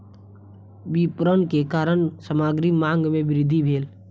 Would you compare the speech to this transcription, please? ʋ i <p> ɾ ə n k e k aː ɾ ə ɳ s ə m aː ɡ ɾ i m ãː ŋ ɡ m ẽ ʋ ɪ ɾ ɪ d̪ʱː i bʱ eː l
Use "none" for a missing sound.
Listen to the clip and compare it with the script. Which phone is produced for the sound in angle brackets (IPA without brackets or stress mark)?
p